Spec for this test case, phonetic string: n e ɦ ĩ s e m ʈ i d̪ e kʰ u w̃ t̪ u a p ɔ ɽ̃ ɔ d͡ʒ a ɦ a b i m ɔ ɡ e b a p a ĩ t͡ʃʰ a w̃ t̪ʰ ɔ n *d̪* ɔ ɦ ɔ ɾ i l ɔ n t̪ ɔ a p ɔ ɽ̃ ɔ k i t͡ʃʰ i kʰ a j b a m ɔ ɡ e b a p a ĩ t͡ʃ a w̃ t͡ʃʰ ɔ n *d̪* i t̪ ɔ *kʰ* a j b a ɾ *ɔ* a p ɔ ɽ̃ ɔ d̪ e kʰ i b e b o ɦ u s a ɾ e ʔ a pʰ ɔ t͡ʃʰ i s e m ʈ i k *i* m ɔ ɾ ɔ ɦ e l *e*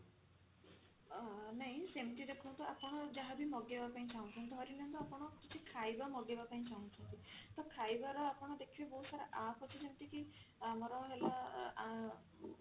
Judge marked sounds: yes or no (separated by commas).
no, no, yes, yes, yes, no